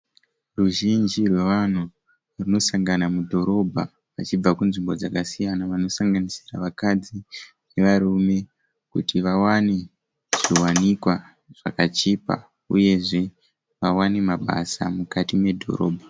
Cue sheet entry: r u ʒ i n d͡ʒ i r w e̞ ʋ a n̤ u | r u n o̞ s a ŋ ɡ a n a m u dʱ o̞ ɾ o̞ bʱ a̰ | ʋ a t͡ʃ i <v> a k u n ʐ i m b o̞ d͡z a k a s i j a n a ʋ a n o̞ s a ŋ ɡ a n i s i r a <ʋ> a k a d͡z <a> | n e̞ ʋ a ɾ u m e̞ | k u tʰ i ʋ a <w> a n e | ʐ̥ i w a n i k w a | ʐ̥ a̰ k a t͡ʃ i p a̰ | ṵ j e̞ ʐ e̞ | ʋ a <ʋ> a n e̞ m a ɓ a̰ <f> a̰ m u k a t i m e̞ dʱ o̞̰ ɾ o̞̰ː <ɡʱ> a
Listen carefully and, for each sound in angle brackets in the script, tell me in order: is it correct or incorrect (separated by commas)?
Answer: incorrect, correct, incorrect, correct, incorrect, incorrect, incorrect